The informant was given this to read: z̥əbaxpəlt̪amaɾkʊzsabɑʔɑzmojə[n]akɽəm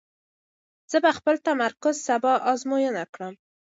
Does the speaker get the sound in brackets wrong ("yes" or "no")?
no